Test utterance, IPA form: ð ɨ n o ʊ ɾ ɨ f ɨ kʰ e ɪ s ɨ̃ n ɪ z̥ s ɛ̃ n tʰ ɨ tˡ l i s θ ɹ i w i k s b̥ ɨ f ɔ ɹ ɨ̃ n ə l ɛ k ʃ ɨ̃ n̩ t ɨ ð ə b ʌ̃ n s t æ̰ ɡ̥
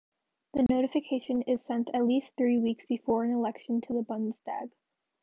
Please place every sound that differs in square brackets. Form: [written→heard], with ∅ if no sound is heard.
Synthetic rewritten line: ð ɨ n o ʊ ɾ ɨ f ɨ kʰ e ɪ [s→ʃ] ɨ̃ n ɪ z̥ s ɛ̃ n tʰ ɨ tˡ l i s θ ɹ i w i k s b̥ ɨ f ɔ ɹ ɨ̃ n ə l ɛ k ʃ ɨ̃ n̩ [t→tʰ] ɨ ð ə b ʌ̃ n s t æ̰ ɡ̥